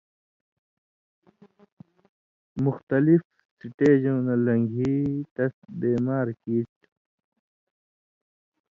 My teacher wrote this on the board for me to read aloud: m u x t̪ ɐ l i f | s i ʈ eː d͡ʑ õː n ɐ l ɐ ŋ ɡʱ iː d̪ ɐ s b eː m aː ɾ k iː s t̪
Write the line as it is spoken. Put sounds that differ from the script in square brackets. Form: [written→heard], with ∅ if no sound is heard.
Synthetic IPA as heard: m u x t̪ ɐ l i f | s i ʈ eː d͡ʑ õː n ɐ l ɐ ŋ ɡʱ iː [d̪→t̪] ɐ s b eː m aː ɾ k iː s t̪